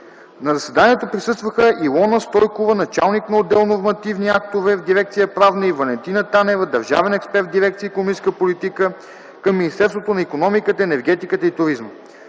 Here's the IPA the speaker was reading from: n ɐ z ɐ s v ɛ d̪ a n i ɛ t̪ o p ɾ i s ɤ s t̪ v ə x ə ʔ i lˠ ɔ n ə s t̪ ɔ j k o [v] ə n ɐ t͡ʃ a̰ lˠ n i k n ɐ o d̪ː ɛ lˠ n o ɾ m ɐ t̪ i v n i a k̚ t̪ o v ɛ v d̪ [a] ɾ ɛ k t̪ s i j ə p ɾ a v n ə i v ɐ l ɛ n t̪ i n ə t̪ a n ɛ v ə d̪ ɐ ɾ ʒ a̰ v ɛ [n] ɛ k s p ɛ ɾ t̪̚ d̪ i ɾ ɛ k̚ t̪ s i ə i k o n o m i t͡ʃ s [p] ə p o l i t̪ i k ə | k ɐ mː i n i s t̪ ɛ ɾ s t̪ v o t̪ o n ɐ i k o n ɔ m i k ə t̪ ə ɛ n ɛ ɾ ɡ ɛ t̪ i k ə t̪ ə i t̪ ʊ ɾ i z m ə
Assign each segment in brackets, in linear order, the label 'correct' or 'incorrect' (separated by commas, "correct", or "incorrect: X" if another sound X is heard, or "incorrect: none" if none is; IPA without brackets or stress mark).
correct, incorrect: i, correct, incorrect: k